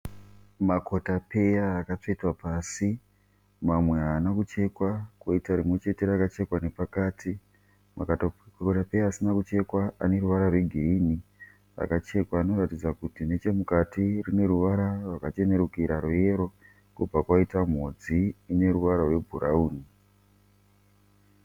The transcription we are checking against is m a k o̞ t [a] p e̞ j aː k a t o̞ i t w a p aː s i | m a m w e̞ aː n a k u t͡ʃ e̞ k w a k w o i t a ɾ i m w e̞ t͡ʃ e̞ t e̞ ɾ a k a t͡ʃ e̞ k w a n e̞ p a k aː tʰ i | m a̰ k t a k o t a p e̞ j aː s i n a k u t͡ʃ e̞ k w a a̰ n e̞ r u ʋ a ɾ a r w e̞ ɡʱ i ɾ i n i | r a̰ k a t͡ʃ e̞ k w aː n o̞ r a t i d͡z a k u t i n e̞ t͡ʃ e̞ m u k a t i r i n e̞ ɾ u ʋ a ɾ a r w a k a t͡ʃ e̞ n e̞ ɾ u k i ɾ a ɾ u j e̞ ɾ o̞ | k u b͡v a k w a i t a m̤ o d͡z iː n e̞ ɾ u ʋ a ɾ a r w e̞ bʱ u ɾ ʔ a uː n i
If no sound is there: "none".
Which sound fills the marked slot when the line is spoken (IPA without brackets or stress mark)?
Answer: a